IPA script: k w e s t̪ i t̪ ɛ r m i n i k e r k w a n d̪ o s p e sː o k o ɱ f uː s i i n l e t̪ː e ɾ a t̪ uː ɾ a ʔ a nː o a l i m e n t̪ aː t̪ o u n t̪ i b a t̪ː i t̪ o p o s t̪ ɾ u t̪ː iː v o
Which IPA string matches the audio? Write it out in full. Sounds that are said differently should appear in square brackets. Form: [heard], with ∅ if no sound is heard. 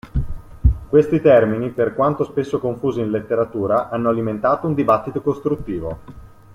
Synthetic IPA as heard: k w e s t̪ i t̪ ɛ r m i n i [p] e r k w a n [t̪] o s p e sː o k o ɱ f uː [z] i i n l e t̪ː e ɾ a t̪ uː ɾ a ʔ a nː o a l i m e n t̪ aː t̪ o u n [d̪] i b a t̪ː i t̪ o [k] o s t̪ ɾ u t̪ː iː v o